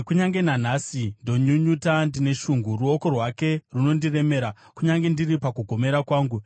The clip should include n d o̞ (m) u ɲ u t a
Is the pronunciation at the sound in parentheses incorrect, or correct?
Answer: incorrect